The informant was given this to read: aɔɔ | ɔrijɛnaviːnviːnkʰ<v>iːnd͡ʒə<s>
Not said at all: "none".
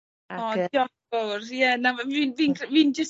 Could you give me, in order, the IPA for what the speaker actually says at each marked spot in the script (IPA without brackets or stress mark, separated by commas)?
v, s